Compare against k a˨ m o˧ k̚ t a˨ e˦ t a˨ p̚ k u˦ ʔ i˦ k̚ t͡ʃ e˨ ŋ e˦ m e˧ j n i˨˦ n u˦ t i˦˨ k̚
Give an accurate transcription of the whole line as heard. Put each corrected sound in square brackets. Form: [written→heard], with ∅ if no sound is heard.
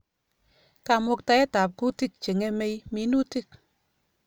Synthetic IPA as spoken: k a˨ m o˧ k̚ t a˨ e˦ t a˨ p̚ k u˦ [ʔ→t] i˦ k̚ t͡ʃ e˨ ŋ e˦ m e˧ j [n→m] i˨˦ n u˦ t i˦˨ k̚

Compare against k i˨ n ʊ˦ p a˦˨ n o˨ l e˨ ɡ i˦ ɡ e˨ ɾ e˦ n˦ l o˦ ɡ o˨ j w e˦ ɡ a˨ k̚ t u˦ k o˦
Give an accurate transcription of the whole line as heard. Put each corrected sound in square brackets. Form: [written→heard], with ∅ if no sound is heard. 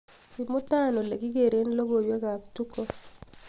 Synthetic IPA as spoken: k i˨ [n→m] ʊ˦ [p→t] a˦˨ n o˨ l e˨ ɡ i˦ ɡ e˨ ɾ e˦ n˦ l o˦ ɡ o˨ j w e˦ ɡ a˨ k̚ t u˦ k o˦

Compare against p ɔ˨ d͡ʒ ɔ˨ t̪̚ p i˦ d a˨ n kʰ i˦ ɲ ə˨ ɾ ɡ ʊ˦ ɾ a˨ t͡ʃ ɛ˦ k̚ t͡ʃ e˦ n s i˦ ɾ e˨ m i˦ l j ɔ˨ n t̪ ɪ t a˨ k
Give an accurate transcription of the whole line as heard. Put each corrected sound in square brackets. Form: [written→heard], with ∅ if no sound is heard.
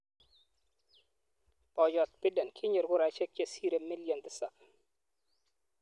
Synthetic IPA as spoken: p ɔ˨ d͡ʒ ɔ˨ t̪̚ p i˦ d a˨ n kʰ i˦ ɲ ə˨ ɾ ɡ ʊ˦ ɾ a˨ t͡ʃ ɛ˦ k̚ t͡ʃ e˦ [n→∅] s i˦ ɾ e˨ m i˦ l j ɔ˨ n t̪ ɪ [t→s] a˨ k

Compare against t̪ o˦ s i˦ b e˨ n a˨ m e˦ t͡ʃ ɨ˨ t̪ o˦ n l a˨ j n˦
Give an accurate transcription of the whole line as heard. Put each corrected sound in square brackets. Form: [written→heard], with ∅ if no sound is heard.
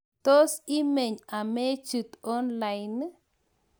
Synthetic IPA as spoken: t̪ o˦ s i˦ [b→m] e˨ [n→ɲ] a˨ m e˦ t͡ʃ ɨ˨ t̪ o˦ n l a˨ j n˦

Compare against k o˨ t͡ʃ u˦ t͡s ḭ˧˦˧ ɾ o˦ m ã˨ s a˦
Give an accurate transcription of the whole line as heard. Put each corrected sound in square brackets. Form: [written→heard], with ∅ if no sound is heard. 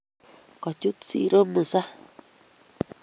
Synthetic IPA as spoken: k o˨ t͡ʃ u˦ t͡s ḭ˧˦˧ ɾ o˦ m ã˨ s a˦

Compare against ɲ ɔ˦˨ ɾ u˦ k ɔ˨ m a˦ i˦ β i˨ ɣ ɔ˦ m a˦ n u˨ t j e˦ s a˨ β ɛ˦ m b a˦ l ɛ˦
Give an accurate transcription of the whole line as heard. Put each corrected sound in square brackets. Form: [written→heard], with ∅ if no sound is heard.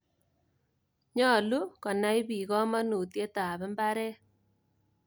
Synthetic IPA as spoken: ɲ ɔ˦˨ [ɾ→l] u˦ k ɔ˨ [m→n] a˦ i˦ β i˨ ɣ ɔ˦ m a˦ n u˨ t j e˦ [s→t] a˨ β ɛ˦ m b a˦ [l→ɾ] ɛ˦

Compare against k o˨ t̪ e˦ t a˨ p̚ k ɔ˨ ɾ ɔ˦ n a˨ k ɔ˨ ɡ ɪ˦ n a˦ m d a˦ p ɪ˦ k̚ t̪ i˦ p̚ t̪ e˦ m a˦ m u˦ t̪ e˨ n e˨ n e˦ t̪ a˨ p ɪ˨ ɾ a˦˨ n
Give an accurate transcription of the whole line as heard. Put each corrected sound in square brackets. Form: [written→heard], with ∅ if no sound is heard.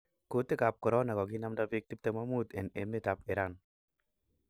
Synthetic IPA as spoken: k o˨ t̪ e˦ [t→k] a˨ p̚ k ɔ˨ ɾ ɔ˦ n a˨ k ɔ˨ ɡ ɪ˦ n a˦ m d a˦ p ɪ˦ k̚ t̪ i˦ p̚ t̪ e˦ m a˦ m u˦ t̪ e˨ n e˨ [n→m] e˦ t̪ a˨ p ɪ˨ ɾ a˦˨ n

